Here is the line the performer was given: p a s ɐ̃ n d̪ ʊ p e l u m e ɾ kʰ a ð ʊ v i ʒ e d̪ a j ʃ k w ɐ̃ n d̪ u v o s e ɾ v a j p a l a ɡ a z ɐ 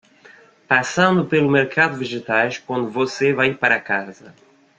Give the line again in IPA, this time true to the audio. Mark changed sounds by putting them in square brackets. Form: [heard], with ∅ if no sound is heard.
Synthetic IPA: p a s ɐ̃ n d̪ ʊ p e l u m e ɾ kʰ a ð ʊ v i ʒ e [t̪] a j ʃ k w ɐ̃ n d̪ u v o s e [∅] v a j p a [ɾ] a [k] a z ɐ